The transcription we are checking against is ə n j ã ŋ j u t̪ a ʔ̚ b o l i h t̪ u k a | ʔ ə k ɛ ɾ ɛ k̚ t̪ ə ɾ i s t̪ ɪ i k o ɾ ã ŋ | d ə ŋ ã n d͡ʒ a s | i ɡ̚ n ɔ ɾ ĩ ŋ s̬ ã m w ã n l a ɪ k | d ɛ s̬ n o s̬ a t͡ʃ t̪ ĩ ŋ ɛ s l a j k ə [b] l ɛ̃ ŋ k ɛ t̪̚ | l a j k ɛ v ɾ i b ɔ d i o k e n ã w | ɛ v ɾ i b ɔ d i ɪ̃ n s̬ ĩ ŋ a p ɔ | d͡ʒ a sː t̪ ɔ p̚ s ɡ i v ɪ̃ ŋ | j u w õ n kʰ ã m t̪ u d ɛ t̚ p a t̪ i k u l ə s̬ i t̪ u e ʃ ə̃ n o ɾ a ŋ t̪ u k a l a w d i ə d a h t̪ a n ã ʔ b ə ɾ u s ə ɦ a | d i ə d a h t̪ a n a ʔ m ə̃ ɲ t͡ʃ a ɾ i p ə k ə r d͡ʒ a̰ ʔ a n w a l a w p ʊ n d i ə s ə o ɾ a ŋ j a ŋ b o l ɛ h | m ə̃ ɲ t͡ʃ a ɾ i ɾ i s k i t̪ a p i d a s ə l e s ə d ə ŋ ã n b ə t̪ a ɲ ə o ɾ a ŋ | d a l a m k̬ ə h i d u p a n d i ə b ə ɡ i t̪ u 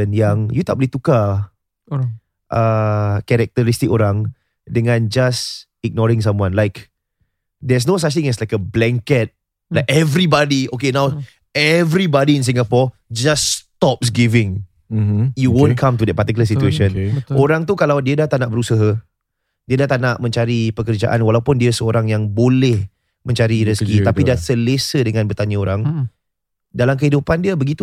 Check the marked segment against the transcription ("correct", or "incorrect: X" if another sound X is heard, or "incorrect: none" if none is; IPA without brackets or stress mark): correct